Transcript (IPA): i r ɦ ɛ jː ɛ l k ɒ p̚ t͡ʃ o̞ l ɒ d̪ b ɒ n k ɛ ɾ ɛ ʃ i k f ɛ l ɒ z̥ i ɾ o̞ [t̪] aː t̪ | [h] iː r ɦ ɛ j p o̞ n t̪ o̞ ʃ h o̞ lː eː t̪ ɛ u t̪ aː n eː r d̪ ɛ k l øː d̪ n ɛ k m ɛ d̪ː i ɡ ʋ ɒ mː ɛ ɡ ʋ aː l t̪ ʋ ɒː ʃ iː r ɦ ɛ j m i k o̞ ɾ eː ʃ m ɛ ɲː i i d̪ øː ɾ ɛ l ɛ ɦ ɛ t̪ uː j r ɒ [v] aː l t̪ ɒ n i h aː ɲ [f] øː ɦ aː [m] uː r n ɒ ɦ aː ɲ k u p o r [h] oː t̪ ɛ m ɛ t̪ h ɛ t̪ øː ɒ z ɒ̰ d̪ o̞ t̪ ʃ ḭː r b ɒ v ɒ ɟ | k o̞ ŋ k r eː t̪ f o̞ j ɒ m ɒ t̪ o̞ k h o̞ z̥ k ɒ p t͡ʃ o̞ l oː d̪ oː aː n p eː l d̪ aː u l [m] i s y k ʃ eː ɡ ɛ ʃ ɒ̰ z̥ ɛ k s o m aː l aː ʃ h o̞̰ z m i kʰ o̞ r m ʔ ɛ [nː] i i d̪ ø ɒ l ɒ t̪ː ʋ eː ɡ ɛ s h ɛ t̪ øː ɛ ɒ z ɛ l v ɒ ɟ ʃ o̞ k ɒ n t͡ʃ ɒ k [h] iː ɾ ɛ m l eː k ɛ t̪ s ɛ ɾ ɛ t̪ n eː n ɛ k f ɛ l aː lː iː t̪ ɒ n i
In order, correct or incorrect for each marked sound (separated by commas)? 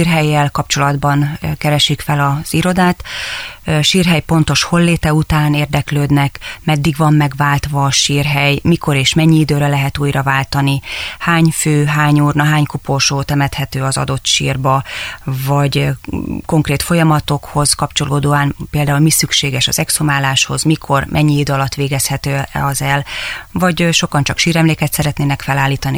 incorrect, incorrect, correct, correct, incorrect, incorrect, correct, incorrect, incorrect